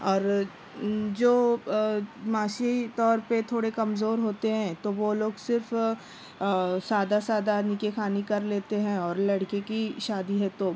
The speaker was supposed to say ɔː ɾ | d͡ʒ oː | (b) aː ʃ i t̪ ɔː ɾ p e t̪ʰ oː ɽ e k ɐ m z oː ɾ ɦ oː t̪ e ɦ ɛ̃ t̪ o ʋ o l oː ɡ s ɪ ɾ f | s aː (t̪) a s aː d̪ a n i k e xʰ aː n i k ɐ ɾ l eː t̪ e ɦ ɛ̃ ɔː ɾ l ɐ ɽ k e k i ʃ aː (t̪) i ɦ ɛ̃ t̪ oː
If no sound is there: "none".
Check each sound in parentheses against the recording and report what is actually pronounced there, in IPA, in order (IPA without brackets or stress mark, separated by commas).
m, d̪, d̪